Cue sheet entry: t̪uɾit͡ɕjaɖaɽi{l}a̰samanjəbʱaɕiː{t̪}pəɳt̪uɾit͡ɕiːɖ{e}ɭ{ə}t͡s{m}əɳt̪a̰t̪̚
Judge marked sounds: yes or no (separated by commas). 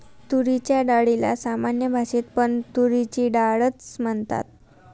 yes, yes, no, yes, yes